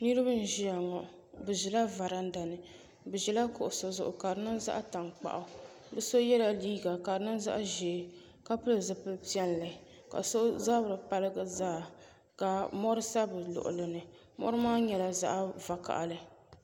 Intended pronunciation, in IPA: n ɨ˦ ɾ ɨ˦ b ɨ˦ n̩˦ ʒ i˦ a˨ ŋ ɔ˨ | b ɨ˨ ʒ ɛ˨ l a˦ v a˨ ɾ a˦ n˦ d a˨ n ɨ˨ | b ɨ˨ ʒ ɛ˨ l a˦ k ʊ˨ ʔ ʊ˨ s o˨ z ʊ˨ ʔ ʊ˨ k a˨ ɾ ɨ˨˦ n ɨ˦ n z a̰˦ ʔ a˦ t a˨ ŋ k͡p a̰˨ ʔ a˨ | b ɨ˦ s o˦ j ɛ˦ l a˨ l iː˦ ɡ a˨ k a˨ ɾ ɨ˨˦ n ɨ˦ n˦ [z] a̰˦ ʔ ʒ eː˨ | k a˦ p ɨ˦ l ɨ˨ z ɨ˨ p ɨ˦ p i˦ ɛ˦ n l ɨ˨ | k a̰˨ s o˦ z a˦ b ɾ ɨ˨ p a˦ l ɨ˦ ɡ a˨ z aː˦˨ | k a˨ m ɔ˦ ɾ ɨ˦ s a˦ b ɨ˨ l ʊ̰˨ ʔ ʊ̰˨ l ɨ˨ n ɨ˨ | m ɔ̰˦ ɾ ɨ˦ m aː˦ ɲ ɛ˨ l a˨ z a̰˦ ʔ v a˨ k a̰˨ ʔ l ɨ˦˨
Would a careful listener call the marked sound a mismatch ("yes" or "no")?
no